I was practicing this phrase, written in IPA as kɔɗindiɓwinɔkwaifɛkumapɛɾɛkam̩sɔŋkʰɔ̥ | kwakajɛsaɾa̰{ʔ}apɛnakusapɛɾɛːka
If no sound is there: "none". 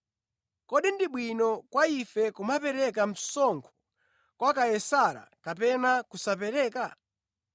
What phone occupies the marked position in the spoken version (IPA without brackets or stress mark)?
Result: k